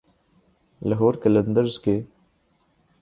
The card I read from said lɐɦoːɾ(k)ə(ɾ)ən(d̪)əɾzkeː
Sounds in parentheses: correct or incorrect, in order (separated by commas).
correct, incorrect, correct